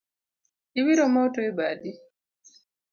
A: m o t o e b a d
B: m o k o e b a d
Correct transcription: A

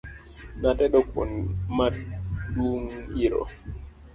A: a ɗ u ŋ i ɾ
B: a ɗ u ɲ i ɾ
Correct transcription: A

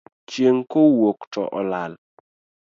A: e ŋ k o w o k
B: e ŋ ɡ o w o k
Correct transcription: A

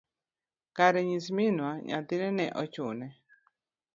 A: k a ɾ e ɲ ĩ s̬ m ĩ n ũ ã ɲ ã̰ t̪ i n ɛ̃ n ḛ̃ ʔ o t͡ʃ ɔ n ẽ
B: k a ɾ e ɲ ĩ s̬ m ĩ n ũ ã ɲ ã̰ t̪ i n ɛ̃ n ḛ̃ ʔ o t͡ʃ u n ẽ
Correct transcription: B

